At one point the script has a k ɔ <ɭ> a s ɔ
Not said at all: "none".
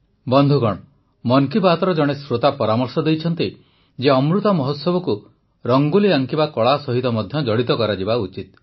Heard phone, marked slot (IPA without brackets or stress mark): ɭ